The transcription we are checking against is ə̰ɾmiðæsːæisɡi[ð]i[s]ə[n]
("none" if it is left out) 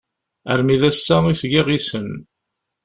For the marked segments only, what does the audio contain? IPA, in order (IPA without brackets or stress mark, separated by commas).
ʁ, s, n